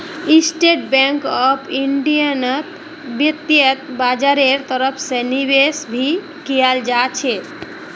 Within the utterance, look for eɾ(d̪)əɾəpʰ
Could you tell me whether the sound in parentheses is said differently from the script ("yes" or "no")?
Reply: yes